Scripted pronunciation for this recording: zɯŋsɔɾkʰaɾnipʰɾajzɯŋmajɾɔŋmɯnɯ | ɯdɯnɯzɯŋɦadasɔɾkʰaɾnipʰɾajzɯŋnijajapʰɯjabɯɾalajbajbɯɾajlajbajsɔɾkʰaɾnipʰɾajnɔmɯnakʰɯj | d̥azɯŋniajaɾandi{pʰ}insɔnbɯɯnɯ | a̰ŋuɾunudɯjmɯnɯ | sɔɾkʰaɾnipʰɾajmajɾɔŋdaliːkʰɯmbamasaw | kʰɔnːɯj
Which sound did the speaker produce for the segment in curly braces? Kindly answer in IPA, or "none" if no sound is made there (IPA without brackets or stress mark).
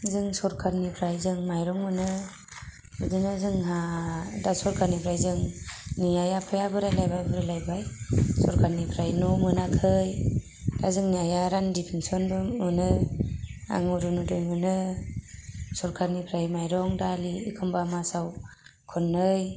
pʰ